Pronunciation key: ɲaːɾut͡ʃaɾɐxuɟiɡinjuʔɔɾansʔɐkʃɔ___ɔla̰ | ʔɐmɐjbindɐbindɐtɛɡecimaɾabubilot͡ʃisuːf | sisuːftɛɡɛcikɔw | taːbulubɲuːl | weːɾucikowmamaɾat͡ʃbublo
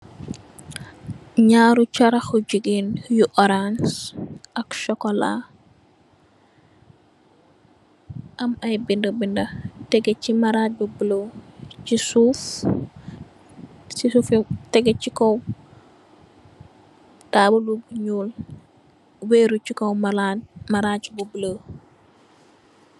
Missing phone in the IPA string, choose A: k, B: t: A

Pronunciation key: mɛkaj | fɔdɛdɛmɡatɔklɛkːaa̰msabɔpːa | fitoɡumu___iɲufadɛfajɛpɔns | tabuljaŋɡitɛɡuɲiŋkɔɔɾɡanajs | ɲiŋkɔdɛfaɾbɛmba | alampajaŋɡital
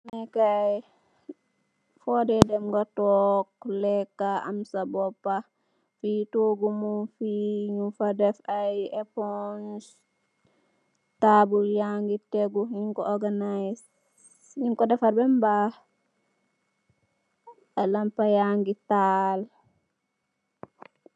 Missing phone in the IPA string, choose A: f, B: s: A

